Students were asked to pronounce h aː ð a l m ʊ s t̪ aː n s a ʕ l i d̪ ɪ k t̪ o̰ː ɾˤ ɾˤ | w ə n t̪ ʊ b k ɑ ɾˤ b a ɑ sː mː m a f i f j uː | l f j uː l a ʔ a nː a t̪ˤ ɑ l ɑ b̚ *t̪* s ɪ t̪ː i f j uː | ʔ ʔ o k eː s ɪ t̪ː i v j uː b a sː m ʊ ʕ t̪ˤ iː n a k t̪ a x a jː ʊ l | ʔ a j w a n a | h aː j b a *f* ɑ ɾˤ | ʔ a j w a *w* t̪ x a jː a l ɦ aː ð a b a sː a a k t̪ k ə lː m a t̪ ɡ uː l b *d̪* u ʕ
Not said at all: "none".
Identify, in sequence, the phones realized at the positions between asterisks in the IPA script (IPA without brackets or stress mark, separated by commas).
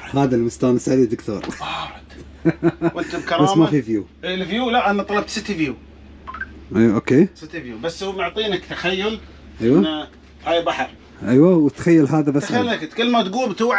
t̪, ħ, w, t̪